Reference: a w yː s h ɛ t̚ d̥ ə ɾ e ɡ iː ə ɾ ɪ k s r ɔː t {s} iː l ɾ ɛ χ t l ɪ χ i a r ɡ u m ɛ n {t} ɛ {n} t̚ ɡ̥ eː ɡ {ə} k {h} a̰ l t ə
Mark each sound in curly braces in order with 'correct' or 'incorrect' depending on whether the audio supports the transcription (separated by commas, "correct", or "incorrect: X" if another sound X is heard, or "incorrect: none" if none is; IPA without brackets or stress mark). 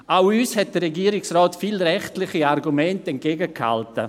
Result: incorrect: f, correct, correct, correct, correct